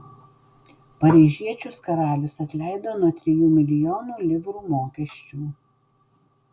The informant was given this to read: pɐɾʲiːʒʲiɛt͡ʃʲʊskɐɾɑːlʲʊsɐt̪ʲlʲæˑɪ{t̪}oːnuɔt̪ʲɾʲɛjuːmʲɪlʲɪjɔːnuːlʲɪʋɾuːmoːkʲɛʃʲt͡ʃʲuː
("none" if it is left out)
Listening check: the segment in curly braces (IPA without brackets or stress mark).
d̪